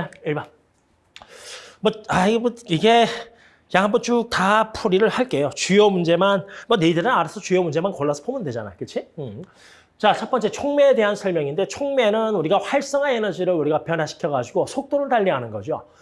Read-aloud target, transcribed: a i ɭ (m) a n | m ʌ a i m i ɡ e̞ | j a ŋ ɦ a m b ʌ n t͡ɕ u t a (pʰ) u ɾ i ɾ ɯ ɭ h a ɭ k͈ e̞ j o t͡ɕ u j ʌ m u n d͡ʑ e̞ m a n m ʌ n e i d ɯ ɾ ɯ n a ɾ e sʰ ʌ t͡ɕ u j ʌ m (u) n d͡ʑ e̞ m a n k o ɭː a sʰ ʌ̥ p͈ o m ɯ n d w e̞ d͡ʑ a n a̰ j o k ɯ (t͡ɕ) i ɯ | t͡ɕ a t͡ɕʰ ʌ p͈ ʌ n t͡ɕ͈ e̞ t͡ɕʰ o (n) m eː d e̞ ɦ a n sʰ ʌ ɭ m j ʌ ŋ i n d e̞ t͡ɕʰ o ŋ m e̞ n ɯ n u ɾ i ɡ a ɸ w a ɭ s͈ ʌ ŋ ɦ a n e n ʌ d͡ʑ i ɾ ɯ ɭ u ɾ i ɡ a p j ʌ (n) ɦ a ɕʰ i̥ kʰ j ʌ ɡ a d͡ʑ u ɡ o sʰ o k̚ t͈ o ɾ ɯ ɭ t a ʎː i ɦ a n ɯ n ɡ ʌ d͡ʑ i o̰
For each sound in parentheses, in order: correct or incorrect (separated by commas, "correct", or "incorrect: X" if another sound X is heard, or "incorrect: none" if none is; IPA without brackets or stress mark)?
incorrect: b, correct, correct, incorrect: t͡ɕʰ, incorrect: ŋ, correct